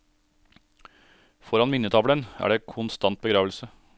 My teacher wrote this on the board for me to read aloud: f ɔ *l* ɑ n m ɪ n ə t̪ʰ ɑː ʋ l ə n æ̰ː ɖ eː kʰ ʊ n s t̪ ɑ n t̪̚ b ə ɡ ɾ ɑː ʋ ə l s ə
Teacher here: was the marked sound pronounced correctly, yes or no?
no